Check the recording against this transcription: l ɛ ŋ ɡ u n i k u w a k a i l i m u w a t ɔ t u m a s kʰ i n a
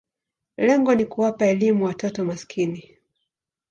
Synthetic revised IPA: l ɛ ŋ ɡ ɔ n i k u w a p a ɛ l i m u w a t ɔ t ɔ m a s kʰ i n i